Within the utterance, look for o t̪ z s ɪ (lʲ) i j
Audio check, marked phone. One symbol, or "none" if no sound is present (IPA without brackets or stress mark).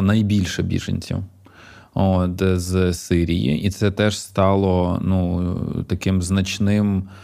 ɾʲ